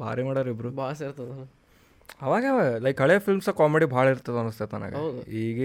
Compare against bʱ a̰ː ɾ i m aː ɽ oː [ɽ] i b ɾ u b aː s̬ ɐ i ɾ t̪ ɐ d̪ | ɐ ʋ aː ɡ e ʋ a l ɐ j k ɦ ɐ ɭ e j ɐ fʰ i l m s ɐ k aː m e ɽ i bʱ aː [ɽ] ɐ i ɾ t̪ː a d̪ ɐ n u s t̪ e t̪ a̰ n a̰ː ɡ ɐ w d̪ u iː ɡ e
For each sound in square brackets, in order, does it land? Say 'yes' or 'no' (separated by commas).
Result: no, no